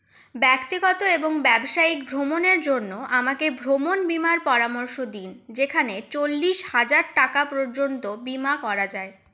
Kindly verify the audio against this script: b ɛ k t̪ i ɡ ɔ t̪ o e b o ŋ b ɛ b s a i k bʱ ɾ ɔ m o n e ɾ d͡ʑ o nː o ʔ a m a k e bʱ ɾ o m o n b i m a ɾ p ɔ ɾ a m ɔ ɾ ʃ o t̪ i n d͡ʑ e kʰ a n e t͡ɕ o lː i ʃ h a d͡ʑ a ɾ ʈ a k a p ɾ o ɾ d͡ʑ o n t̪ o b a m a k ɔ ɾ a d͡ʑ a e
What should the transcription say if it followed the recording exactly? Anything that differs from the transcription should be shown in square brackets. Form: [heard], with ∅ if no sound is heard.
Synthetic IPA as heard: b ɛ k t̪ i ɡ ɔ t̪ o e b o ŋ b ɛ b [ʃ] a i k bʱ ɾ [o] m o n e ɾ d͡ʑ o nː o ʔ a m a k e bʱ ɾ o m o n b i m a ɾ p ɔ ɾ a m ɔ ɾ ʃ o [d̪] i n d͡ʑ e kʰ a n e t͡ɕ o lː i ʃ h a d͡ʑ a ɾ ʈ a k a p ɾ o ɾ d͡ʑ o n t̪ o b [i] m a k ɔ ɾ a d͡ʑ a e

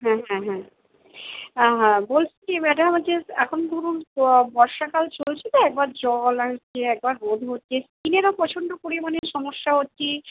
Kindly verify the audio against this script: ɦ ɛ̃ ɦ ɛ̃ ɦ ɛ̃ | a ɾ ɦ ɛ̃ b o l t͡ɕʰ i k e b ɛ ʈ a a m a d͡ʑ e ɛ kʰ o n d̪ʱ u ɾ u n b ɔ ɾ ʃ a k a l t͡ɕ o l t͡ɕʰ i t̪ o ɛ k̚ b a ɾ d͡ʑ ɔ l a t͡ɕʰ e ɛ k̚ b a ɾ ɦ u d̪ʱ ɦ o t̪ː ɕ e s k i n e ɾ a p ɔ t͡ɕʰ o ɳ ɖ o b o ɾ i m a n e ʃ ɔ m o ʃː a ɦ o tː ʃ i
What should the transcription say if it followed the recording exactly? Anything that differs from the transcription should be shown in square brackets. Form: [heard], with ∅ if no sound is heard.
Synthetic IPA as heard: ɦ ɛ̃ ɦ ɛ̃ ɦ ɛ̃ | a [∅] ɦ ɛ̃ b o l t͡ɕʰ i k e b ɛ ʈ a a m a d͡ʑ e ɛ kʰ o n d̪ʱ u ɾ u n b ɔ ɾ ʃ a k a l t͡ɕ o l t͡ɕʰ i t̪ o ɛ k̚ b a ɾ d͡ʑ ɔ l a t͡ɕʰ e ɛ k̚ b a ɾ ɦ [o] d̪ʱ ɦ o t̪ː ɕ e s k i n e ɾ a p ɔ t͡ɕʰ o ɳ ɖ o [p] o ɾ i m a n e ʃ ɔ m o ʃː a ɦ o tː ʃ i

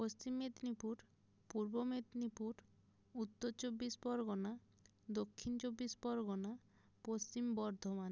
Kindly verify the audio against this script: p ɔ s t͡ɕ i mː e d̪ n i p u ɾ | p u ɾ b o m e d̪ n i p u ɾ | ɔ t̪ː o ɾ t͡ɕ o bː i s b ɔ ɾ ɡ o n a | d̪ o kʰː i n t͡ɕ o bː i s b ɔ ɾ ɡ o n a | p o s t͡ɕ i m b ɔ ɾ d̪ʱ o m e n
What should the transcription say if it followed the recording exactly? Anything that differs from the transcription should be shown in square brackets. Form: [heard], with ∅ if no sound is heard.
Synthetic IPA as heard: p [o] s t͡ɕ i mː e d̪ n i p u ɾ | p u ɾ b o m e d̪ n i p u ɾ | [u] t̪ː o ɾ t͡ɕ o bː i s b ɔ ɾ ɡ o n a | d̪ o kʰː i n t͡ɕ o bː i s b ɔ ɾ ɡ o n a | p o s t͡ɕ i m b ɔ ɾ d̪ʱ o m [a] n

